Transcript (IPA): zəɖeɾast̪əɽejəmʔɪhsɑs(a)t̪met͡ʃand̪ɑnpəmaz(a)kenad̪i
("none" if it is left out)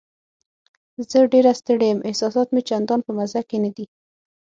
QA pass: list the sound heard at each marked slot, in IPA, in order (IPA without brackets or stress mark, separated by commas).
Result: ɑ, a